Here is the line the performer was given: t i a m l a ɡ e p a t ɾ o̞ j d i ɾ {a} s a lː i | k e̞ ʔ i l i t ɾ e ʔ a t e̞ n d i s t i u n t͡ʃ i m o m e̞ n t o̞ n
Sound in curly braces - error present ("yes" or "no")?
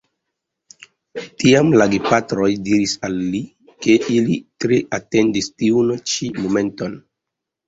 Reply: yes